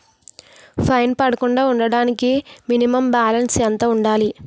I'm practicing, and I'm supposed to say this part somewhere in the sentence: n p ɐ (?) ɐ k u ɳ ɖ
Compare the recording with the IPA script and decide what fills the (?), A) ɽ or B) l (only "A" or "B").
A